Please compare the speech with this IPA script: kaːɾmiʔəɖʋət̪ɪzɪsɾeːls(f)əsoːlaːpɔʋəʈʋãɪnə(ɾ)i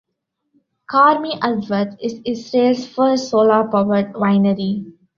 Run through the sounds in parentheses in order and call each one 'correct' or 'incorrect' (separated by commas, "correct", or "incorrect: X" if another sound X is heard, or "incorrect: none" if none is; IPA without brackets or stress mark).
correct, correct